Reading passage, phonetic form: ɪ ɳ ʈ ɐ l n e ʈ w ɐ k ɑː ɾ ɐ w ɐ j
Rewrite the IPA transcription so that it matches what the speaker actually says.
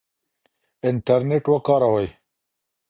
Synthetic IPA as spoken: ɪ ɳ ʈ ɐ ɾ n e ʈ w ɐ k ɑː ɾ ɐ w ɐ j

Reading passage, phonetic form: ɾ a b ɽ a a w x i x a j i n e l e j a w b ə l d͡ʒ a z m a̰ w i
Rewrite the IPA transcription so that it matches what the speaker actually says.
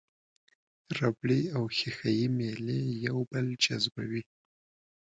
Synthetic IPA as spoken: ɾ a b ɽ i a w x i x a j i m e l e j a w b ə l d͡ʒ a z b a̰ w i

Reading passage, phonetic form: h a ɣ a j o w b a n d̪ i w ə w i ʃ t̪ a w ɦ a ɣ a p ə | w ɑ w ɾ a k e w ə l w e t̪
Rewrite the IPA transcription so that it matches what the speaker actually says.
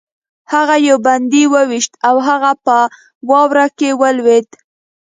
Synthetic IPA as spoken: h a ɣ a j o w b a n d̪ i w ə w i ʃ t̪ a w ɦ a ɣ a p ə | w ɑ w ɾ a k e w ə l w e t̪

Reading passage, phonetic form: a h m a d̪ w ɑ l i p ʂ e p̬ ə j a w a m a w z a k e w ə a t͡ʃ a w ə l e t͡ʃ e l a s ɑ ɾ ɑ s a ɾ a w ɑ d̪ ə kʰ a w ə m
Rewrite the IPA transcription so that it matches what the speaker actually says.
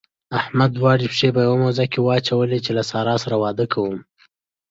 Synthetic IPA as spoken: a h m a d̪ w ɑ ɽ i p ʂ e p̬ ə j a w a m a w z a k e w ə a t͡ʃ a w ə l e t͡ʃ e l a s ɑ ɾ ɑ s a ɾ a w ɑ d̪ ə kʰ a w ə m

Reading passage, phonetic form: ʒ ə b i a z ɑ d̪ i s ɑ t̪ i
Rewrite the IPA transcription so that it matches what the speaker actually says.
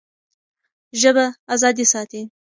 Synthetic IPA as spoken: ʒ ə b a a z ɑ d̪ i s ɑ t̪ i

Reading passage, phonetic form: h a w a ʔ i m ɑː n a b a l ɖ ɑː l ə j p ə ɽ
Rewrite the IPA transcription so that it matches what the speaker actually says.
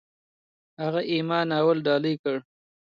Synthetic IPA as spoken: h a ɣ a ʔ i m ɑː n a w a l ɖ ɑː l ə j k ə ɽ

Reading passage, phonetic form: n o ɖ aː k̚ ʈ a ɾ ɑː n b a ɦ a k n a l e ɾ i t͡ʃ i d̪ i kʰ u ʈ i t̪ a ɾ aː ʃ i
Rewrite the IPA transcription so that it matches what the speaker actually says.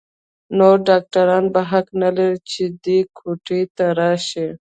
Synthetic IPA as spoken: n o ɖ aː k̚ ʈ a ɾ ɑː n b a ɦ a k n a l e ɾ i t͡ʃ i d̪ i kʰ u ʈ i t̪ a ɾ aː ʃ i

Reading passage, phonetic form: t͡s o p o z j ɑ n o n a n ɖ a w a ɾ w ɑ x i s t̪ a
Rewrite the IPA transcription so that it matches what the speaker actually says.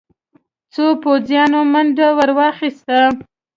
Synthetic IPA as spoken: t͡s o p o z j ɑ n o m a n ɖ a w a ɾ w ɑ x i s t̪ a

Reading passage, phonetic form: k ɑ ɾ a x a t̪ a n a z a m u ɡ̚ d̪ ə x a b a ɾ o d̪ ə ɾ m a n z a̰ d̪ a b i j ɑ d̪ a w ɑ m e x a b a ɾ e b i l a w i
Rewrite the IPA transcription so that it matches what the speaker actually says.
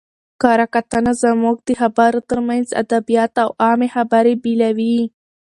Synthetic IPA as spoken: k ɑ ɾ a k a t̪ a n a z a m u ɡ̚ d̪ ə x a b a ɾ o t̪ ə ɾ m a n z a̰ d̪ a b i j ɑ t̪ a w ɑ m e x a b a ɾ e b i l a w i

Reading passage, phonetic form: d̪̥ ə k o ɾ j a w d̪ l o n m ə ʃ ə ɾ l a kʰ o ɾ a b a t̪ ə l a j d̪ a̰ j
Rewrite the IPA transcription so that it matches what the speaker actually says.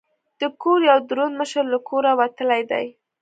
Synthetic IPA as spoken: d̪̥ ə k o ɾ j a w d̪ ɾ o n m ə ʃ ə ɾ l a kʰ o ɾ a w a t̪ ə l a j d̪ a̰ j

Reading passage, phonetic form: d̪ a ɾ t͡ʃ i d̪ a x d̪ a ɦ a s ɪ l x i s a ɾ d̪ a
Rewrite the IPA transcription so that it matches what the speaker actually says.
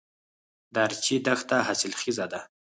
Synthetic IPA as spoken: d̪ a ɾ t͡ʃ i d̪ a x t̪ a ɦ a s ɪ l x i z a d̪ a

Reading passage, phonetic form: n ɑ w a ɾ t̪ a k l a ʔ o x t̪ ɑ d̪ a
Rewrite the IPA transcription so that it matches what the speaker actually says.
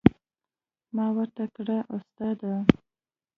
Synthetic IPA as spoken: m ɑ w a ɾ t̪ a k ɽ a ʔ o s t̪ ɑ d̪ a

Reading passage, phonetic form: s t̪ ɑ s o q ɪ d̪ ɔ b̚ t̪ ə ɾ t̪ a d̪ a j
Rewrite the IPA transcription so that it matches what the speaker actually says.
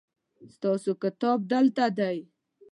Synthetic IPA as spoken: s t̪ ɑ s o k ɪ t̪ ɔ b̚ d̪ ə l t̪ a d̪ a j

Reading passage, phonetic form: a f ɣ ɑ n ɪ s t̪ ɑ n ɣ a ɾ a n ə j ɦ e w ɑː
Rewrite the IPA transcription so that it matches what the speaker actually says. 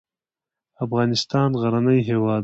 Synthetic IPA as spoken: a f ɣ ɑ n ɪ s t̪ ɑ n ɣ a ɾ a n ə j ɦ e w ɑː

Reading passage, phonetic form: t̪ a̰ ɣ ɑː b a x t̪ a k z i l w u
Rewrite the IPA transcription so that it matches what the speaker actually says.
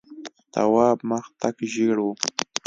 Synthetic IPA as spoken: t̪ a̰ w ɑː m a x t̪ a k ʒ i ɽ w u

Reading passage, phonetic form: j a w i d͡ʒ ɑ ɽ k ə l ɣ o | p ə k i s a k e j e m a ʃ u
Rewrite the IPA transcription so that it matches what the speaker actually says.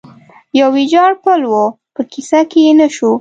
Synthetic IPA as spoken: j a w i d͡ʒ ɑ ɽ p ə l w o | p ə k i s a k e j e n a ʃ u

